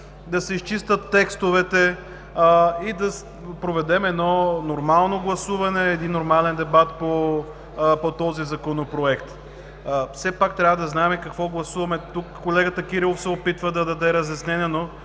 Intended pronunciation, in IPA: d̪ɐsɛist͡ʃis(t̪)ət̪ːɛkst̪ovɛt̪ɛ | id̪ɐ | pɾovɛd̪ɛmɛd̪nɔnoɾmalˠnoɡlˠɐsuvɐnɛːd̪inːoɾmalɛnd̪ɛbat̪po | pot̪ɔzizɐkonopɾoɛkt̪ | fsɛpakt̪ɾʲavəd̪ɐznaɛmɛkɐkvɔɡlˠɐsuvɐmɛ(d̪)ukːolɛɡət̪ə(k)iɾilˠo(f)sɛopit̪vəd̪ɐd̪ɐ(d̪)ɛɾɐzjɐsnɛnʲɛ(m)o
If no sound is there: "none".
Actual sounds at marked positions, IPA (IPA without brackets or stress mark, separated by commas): t̪, t̪, k, f, d̪, n